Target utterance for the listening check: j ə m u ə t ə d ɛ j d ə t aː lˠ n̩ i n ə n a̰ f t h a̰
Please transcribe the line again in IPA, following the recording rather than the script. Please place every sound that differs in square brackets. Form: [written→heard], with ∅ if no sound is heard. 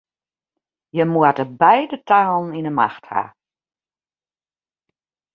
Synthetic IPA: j ə m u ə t ə [d→b] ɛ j d ə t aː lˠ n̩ i n ə [n→m] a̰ [f→x] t h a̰